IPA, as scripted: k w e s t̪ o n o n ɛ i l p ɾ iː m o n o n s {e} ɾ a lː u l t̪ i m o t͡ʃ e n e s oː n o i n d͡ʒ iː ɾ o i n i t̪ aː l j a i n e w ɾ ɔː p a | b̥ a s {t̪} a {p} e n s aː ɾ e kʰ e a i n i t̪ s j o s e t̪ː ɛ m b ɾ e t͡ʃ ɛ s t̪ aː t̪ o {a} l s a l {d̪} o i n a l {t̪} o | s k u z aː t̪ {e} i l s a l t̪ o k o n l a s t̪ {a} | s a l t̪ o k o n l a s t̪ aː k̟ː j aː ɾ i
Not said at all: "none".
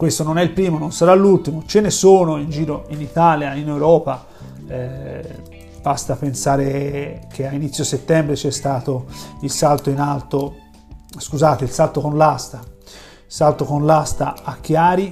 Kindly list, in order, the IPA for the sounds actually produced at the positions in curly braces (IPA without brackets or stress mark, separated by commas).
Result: a, t̪, p, i, t̪, t̪, e, a